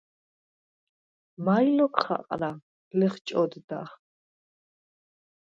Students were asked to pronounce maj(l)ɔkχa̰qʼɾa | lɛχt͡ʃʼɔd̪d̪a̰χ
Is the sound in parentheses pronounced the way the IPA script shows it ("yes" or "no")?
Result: yes